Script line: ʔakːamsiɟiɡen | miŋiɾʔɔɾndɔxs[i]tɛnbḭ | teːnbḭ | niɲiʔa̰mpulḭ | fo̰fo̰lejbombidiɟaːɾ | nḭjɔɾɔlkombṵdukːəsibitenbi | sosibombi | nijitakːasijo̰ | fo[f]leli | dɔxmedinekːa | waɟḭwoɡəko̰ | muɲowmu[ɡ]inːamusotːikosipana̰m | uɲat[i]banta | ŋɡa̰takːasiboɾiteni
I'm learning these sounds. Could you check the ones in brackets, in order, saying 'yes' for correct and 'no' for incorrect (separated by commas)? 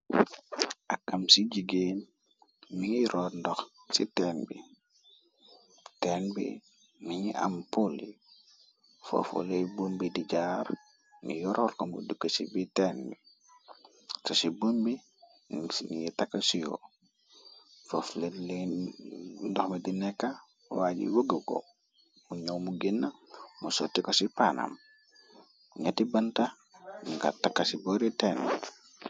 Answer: yes, yes, yes, yes